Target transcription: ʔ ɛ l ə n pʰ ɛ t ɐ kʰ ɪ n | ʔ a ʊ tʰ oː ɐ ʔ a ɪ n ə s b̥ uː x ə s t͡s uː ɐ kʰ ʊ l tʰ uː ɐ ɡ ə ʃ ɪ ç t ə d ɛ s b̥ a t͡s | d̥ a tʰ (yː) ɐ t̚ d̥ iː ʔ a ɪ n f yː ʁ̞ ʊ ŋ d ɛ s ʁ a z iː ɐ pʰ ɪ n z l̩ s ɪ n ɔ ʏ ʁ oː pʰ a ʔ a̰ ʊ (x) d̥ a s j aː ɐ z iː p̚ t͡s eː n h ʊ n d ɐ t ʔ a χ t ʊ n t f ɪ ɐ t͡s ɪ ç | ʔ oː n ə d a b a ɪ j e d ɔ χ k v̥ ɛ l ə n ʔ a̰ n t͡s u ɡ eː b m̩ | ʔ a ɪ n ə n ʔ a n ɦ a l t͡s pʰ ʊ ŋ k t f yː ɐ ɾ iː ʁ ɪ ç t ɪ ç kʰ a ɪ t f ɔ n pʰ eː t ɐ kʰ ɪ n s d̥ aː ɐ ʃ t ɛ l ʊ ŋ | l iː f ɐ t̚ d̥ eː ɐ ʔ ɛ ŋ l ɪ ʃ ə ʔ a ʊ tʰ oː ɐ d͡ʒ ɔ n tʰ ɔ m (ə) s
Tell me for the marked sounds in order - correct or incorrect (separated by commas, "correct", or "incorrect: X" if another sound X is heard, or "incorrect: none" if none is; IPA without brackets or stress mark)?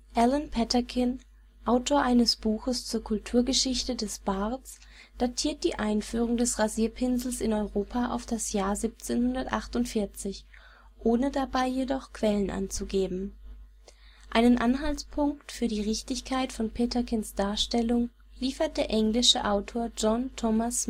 incorrect: iː, incorrect: f, incorrect: a